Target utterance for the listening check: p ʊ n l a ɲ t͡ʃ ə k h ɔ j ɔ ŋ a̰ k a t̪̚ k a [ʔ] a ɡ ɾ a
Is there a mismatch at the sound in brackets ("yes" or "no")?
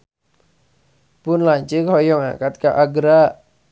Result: no